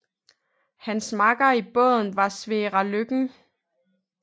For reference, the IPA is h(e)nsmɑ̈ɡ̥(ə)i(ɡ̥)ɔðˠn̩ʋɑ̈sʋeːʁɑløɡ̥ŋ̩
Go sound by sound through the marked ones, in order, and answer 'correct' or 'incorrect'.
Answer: incorrect, incorrect, incorrect

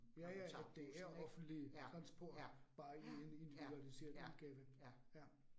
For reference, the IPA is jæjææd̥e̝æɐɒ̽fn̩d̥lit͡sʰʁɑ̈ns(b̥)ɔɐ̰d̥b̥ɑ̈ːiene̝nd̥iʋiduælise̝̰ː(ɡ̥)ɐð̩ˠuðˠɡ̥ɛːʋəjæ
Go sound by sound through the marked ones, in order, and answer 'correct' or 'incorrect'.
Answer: correct, incorrect

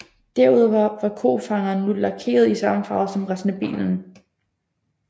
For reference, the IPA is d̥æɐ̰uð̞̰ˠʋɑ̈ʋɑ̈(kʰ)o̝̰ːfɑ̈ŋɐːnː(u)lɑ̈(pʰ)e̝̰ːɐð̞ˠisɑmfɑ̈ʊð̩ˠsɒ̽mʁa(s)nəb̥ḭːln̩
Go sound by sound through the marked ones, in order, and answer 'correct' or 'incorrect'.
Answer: correct, correct, incorrect, correct

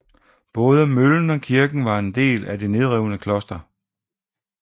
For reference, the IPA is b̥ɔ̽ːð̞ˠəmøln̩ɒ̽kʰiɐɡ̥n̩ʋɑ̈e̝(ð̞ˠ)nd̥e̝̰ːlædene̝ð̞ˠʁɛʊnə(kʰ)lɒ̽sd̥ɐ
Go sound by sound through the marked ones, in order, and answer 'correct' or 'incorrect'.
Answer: incorrect, correct

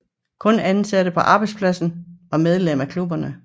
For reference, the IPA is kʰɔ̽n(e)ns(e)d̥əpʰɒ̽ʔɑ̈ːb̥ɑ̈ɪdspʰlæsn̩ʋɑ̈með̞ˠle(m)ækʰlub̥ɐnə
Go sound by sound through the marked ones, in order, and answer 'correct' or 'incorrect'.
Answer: incorrect, incorrect, correct

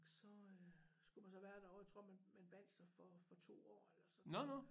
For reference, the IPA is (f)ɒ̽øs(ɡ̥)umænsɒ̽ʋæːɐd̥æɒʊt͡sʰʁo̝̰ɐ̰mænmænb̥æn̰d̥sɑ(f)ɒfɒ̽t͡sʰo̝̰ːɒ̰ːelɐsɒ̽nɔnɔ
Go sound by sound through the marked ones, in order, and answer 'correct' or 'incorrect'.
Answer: incorrect, correct, correct

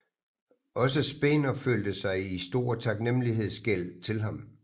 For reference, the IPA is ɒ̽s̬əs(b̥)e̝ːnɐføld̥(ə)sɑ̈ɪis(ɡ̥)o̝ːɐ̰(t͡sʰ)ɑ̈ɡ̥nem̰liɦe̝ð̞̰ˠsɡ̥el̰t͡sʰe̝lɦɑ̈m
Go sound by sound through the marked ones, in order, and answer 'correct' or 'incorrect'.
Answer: correct, correct, incorrect, correct

